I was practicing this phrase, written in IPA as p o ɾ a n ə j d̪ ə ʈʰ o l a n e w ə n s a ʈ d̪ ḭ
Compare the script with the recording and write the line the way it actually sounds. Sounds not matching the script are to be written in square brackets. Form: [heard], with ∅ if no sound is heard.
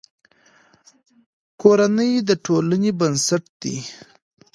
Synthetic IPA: [k] o ɾ a n ə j d̪ ə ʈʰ o l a n e [b] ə n s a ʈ d̪ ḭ